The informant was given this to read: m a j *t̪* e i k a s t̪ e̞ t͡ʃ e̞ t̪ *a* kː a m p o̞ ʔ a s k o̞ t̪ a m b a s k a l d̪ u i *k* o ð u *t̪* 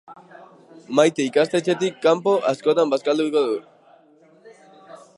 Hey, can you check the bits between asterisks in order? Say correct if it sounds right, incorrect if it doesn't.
correct, incorrect, correct, incorrect

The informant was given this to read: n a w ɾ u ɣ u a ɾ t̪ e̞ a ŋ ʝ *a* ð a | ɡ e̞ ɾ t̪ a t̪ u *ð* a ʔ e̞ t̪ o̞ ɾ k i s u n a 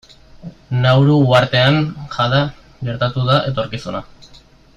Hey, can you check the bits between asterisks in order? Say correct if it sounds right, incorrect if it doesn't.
correct, correct

